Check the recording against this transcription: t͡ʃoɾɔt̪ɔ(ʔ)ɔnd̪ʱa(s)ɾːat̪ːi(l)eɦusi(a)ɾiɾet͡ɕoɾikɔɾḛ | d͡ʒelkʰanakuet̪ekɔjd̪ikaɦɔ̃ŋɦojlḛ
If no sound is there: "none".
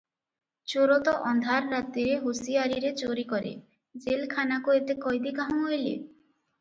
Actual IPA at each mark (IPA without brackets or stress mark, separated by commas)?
ʔ, none, ɾ, a